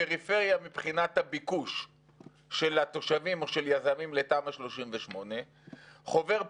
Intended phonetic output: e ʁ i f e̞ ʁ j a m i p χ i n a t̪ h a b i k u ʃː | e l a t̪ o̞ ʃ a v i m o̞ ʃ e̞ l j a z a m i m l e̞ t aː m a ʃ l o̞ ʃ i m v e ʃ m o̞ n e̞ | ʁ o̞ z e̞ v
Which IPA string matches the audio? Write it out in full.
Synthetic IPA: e ʁ i f e̞ ʁ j a m i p χ i n a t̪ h a b i k u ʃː | e l a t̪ o̞ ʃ a v i m o̞ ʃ e̞ l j a z a m i m l e̞ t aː m a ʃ l o̞ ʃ i m v e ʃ m o̞ n e̞ | χ o̞ v e̞ ʁ